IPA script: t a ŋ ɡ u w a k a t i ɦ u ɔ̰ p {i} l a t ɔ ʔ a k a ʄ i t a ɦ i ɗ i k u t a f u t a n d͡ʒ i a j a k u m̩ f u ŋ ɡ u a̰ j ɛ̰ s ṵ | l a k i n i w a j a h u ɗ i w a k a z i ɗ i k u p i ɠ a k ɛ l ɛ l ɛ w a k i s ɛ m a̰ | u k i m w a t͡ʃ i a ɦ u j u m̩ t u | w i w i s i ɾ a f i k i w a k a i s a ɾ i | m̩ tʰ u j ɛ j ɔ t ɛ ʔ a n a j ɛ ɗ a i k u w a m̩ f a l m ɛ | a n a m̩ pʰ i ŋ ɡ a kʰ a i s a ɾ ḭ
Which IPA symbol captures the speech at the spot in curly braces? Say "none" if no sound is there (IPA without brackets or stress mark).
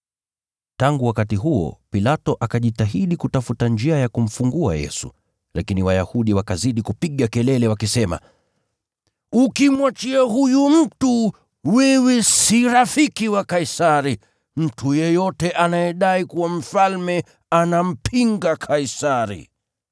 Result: i